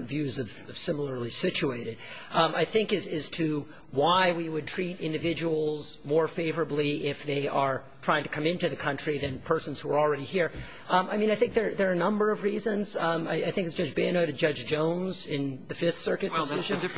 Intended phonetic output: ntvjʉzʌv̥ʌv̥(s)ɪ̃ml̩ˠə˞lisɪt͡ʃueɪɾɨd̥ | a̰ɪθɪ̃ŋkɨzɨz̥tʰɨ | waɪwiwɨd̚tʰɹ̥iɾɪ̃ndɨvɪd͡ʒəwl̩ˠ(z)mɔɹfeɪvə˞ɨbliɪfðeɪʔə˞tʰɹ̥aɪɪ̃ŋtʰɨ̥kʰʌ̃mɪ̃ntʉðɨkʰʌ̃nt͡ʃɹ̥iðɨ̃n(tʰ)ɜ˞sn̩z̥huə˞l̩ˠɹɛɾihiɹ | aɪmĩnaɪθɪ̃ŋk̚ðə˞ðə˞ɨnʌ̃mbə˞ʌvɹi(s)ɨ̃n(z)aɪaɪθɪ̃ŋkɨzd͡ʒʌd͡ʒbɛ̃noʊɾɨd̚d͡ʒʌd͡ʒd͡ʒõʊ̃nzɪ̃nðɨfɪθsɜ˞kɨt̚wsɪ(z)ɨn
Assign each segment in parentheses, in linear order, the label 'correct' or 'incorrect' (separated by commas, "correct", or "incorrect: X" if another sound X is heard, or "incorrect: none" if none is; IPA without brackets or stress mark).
correct, correct, incorrect: pʰ, incorrect: z, correct, incorrect: ʒ